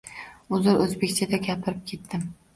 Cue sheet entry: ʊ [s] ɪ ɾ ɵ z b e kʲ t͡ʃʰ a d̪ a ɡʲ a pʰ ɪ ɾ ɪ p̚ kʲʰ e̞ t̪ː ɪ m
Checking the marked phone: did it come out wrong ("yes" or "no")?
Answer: yes